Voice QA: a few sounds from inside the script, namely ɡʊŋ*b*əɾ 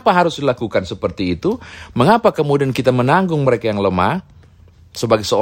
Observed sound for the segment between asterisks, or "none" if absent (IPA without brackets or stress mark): m